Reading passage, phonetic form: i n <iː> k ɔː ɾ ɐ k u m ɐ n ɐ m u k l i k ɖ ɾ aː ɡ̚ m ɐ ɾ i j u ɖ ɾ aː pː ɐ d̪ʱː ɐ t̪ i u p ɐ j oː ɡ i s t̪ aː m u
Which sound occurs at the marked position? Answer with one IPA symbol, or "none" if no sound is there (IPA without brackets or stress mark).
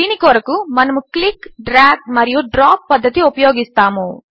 i